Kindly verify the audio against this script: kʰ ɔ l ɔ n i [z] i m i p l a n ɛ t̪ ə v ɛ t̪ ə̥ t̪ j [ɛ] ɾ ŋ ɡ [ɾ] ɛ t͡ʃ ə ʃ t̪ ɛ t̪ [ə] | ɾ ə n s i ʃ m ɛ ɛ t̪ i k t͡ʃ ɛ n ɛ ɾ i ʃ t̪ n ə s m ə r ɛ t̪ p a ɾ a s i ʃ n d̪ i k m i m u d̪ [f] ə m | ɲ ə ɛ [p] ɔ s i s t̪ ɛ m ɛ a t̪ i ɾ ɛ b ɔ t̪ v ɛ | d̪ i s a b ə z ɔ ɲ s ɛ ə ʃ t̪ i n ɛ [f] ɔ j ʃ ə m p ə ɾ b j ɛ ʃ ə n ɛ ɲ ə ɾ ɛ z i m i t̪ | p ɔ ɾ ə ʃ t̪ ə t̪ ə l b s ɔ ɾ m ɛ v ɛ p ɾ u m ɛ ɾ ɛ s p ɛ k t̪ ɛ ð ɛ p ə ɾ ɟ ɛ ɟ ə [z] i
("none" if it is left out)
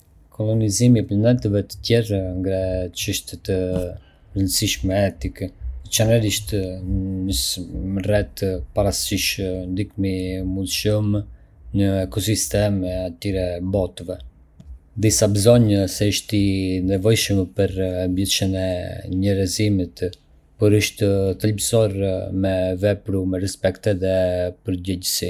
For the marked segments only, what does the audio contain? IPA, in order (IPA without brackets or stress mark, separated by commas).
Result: z, ɛ, ɾ, ə, ʃ, k, v, s